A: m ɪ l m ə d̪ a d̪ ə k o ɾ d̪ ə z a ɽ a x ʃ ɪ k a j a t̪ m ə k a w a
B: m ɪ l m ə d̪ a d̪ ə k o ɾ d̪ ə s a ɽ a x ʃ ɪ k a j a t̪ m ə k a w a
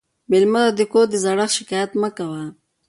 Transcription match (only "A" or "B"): A